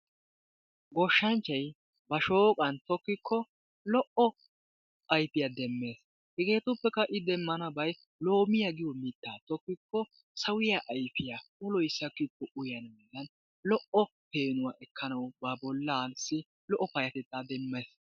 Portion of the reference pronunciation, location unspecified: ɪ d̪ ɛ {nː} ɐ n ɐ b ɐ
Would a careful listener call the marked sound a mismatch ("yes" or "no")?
yes